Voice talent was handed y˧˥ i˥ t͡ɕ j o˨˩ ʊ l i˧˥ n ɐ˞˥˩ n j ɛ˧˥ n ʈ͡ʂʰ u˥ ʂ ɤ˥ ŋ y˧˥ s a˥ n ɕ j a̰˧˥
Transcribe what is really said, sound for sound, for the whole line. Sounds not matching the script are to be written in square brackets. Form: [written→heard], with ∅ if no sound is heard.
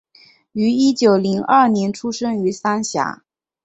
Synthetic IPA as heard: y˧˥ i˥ t͡ɕ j o˨˩ ʊ l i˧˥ [n→ŋ] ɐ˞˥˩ n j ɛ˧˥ n ʈ͡ʂʰ u˥ ʂ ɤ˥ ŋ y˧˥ s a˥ n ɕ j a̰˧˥